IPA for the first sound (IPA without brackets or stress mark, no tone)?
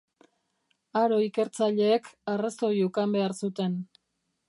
a